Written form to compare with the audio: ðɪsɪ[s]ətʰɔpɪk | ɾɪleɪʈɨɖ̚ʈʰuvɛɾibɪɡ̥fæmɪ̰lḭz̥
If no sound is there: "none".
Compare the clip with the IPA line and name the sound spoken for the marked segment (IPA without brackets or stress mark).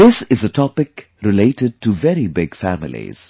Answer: z